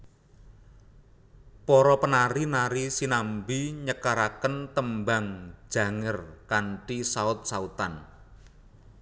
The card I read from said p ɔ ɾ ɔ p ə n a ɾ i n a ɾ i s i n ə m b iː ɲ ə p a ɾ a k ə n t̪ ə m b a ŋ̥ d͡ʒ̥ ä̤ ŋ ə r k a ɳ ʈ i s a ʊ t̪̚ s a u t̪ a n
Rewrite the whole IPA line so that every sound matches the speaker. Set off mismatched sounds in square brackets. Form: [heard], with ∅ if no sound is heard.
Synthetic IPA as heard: p ɔ ɾ ɔ p ə n a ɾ i n a ɾ i s i n [a] m b [i] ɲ ə [k] a ɾ a k ə n t̪ ə m b a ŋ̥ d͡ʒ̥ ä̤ ŋ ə r k a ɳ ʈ i s a ʊ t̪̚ s a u t̪ a n